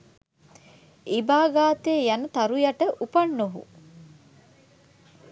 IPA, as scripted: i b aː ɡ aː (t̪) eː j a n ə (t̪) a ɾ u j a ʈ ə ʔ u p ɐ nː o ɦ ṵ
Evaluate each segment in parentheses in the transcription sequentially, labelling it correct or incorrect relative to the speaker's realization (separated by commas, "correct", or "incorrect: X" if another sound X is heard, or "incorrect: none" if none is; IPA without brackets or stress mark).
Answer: correct, correct